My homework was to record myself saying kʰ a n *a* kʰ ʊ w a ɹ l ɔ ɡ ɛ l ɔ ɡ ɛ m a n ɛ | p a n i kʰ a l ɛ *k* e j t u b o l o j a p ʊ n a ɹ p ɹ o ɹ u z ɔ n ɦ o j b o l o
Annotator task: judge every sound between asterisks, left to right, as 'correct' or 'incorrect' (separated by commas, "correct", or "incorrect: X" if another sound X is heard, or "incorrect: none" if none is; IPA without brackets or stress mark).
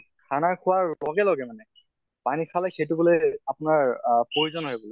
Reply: correct, incorrect: x